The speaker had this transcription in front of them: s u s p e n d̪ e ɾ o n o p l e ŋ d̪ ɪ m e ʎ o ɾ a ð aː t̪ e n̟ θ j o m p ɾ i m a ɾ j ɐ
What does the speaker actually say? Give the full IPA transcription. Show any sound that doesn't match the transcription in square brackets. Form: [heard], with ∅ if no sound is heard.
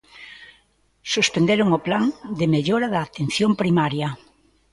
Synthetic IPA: s u s p e n d̪ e ɾ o [ŋ] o p l [a] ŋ d̪ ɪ m e ʎ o ɾ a ð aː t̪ e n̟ θ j o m p ɾ i m a ɾ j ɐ

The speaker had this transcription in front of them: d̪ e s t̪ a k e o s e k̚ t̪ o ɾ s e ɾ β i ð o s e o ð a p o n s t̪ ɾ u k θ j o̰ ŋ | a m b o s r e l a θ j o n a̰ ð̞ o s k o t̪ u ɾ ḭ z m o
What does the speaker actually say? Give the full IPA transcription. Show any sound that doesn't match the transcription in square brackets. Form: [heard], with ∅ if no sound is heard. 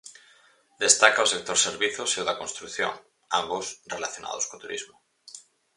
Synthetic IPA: d̪ e s t̪ a k [a] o s e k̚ t̪ o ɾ s e ɾ β i [θ] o s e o ð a [k] o n s t̪ ɾ u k θ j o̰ ŋ | a m b o s r e l a θ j o n a̰ ð̞ o s k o t̪ u ɾ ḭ z m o

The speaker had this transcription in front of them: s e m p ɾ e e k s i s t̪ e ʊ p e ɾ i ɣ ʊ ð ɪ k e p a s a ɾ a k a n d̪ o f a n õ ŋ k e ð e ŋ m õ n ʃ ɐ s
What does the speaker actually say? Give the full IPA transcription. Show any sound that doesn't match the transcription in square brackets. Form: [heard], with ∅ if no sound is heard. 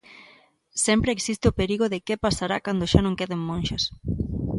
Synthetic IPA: s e m p ɾ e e k s i s t̪ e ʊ p e ɾ i ɣ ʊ ð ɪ k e p a s a ɾ a k a n d̪ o [ʃ] a n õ ŋ k e ð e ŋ m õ n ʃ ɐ s

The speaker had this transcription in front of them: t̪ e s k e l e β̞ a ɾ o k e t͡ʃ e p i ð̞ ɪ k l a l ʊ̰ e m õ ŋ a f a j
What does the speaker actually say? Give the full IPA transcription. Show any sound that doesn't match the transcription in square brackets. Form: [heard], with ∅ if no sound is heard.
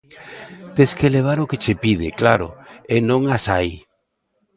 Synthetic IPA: t̪ e s k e l e β̞ a ɾ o k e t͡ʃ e p i ð̞ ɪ k l a [ɾ] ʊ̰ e [n] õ ŋ a [s] a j

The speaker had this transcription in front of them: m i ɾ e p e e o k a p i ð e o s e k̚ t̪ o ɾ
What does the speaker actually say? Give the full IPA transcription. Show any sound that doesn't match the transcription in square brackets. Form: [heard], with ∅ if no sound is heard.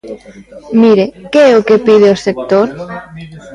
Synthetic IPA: m i ɾ e [k] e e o k [e] p i ð e o s e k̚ t̪ o ɾ

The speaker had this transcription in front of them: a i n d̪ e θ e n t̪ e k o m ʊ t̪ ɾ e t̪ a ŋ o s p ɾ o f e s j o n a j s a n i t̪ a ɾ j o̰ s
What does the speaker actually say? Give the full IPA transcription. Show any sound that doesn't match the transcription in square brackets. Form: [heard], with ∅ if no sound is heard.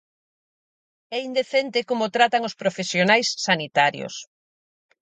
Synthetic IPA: [ɛ] i n d̪ e θ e n t̪ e k o m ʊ t̪ ɾ [a] t̪ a ŋ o s p ɾ o f e s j o n a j [sː] a n i t̪ a ɾ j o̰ s

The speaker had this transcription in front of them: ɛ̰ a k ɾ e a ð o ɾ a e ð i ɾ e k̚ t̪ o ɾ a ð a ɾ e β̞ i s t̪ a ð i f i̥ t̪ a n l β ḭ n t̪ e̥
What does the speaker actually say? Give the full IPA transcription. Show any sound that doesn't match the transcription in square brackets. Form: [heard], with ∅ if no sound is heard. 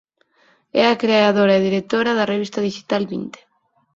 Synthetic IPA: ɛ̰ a k ɾ e a ð o ɾ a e ð i ɾ e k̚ t̪ o ɾ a ð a [r] e β̞ i s t̪ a ð i [ʃ] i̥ t̪ a [∅] l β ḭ n t̪ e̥

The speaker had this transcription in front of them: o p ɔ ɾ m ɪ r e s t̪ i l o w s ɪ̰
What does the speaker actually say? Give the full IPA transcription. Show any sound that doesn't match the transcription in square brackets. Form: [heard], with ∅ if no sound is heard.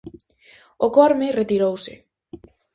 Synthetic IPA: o [k] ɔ ɾ m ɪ r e [∅] t̪ i [ɾ] o w s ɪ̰

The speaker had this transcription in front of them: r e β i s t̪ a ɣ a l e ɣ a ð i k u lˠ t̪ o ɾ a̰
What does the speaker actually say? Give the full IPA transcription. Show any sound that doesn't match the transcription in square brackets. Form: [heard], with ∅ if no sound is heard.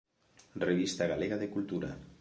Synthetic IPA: r e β i s t̪ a ɣ a l e ɣ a ð [e] k u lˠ t̪ [u] ɾ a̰

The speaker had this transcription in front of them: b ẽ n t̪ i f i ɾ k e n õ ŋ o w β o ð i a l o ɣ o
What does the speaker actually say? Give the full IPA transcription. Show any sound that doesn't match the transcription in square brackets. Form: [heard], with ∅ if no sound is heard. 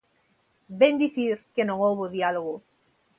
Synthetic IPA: b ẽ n [d̪] i [θ] i ɾ k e n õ ŋ o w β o ð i a l o ɣ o

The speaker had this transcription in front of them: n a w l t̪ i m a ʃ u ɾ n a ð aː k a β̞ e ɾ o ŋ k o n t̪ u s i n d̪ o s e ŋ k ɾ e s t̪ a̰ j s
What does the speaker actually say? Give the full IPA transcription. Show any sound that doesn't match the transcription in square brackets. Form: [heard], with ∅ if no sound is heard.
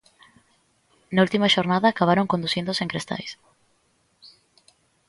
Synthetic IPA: n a [u] l t̪ i m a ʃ [o] ɾ n a ð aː k a β̞ [a] ɾ o ŋ k o n [d̪] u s i n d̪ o s e ŋ k ɾ e s t̪ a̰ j s

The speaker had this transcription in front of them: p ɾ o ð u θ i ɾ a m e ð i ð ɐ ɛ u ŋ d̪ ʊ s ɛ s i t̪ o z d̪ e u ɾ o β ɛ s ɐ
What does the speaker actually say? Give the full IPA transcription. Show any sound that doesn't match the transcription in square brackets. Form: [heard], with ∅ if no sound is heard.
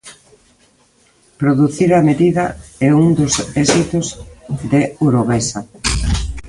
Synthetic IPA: p ɾ o ð u θ i ɾ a m e ð i ð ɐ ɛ u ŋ d̪ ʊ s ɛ s i t̪ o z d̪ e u ɾ o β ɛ s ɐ

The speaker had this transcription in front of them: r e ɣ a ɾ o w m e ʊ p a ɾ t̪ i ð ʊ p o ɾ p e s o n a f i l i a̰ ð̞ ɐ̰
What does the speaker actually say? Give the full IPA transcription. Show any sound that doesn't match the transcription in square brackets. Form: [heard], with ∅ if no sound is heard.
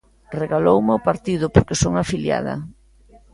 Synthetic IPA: r e ɣ a [l] o w m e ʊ p a ɾ t̪ i ð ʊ p o ɾ [k] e s o [ŋ] a f i l [j] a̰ ð̞ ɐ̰

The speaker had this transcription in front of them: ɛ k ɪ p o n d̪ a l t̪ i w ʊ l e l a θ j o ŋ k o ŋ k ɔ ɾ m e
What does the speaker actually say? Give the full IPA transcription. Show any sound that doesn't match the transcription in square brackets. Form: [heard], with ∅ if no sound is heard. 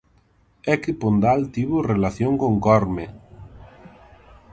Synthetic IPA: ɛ k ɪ p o n d̪ a l t̪ i [β] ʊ [r] e l a θ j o ŋ k o ŋ k ɔ ɾ m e

